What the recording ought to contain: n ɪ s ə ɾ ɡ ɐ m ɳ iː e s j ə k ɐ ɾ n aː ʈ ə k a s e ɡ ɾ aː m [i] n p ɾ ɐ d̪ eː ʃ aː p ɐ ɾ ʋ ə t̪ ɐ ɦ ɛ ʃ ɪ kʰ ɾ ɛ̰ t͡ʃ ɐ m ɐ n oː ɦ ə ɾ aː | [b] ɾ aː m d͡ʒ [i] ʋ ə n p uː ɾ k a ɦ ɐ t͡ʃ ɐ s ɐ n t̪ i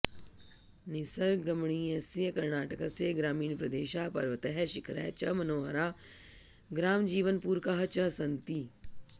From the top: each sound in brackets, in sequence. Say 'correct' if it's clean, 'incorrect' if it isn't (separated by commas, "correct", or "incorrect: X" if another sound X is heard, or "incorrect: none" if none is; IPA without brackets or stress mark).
incorrect: iː, incorrect: ɡ, incorrect: iː